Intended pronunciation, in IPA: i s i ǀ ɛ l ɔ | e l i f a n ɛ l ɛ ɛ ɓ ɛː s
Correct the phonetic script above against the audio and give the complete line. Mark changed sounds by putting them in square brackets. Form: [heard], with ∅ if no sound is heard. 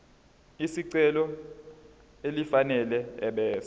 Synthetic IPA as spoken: i s i ǀ ɛ l ɔ | e l i f a n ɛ l ɛ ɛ ɓ ɛː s